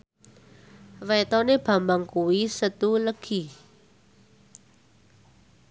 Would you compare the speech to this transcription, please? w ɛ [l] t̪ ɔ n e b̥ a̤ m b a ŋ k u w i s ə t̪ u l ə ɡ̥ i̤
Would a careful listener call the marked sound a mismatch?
yes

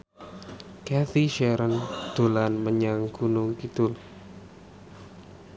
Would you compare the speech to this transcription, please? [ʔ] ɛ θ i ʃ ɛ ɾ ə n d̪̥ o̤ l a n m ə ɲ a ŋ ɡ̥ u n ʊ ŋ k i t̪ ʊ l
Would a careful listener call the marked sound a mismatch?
yes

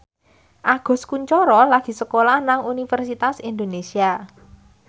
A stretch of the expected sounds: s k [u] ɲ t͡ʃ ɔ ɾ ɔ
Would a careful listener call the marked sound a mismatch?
no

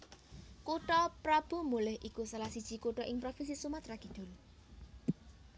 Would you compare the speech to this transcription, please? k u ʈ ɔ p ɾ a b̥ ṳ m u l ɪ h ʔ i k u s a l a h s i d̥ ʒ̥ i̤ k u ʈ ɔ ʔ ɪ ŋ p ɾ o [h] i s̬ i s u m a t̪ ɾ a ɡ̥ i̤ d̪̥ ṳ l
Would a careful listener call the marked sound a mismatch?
yes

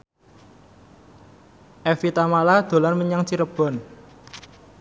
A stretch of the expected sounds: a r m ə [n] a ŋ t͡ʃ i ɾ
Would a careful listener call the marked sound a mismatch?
yes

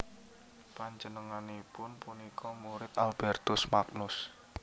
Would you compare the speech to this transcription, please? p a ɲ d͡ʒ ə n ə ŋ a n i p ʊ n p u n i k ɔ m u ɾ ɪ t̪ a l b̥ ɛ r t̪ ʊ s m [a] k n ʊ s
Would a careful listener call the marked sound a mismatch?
no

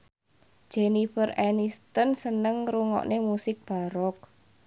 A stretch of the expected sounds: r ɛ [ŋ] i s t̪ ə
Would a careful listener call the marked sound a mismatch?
yes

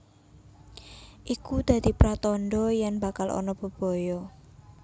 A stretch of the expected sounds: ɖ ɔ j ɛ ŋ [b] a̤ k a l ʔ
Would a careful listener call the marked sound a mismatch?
no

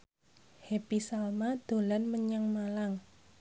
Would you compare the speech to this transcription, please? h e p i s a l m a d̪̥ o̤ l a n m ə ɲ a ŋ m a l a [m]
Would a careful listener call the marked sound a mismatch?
yes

